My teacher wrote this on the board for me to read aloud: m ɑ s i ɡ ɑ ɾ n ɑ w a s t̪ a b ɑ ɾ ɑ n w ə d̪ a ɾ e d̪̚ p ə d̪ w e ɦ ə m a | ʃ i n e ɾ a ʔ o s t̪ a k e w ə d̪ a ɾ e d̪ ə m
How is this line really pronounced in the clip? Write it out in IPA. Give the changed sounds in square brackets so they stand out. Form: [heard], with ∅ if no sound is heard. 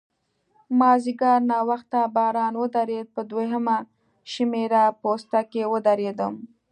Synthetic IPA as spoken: m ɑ [z] i ɡ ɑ ɾ n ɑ w a [x] t̪ a b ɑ ɾ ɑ n w ə d̪ a ɾ e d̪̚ p ə d̪ w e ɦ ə m a | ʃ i [m] e ɾ a [p] o s t̪ a k e w ə d̪ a ɾ e d̪ ə m